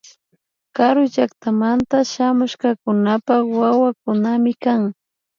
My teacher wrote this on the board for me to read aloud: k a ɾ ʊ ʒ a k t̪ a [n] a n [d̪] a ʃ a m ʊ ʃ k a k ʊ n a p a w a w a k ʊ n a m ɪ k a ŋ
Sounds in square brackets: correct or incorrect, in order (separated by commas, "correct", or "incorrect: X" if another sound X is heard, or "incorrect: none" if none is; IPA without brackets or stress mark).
incorrect: m, incorrect: t̪